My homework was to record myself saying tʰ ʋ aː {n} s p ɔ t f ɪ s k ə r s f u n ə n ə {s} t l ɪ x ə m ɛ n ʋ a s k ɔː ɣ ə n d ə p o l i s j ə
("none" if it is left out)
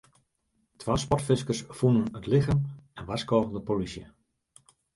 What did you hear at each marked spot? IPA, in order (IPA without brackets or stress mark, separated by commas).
none, none